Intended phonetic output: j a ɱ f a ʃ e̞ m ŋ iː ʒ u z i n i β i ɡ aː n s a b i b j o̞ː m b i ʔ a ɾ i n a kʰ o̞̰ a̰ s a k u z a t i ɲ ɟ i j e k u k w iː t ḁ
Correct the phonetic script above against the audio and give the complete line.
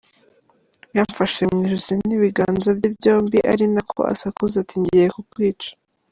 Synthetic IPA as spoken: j a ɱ f a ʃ e̞ m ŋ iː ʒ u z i n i β i ɡ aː n z a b i b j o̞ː m b i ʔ a ɾ i n a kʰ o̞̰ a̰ s a k u z a t i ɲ ɟ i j e k u k w iː t͡ʃ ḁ